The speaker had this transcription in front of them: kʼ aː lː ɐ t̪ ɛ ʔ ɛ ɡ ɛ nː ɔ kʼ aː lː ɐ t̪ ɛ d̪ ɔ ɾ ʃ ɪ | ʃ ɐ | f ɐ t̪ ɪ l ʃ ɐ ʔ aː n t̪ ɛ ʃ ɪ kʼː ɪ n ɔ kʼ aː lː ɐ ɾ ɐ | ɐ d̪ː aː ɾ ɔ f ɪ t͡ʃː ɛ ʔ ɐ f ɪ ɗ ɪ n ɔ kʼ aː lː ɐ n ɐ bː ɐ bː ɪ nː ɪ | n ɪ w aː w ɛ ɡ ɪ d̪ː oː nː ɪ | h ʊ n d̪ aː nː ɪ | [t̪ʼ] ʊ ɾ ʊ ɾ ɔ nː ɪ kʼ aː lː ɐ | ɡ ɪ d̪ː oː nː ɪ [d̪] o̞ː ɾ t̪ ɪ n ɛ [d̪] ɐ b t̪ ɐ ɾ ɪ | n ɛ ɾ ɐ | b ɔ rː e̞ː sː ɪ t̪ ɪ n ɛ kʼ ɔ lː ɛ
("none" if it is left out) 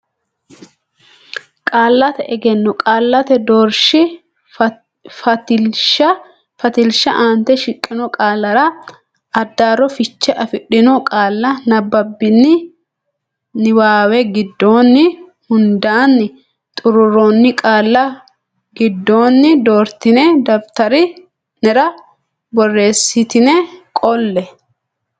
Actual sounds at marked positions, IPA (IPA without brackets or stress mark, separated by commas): t̪ʼ, d̪, d̪